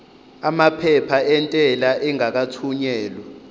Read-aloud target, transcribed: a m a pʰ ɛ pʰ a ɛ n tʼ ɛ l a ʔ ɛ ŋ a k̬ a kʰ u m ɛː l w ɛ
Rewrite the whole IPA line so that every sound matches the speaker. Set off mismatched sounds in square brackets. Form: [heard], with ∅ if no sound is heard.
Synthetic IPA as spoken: a m a pʰ ɛ pʰ a ɛ n tʼ ɛ l a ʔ ɛ ŋ a k̬ a [tʰ] u [ɲ] ɛː l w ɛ